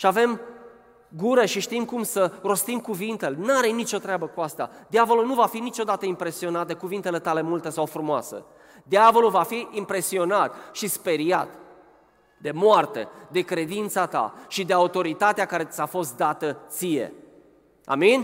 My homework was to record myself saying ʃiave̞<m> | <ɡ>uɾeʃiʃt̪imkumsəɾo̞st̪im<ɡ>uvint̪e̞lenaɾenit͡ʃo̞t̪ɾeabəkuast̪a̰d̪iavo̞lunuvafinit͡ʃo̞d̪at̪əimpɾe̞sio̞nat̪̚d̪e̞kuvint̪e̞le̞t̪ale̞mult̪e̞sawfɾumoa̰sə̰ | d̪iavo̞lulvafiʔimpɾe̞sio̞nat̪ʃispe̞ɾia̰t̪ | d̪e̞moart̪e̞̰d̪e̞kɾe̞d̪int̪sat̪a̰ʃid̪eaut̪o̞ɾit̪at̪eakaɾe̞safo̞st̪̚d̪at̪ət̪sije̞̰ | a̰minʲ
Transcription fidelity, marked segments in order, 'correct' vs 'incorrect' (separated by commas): correct, correct, incorrect